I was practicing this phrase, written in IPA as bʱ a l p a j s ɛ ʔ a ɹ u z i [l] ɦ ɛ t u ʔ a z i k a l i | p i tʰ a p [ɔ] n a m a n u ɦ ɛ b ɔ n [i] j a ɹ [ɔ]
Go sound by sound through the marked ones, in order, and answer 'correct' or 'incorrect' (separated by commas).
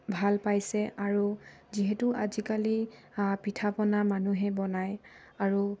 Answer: incorrect, correct, incorrect, incorrect